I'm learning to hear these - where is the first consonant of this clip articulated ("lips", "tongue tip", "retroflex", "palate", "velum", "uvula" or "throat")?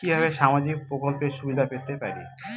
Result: lips